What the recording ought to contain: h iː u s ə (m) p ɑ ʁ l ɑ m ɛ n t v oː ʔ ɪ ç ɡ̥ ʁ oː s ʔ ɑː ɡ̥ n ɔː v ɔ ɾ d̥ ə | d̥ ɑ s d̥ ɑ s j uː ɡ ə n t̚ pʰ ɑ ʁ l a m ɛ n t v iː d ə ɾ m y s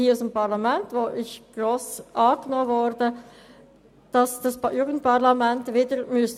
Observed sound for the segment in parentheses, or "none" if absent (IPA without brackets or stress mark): m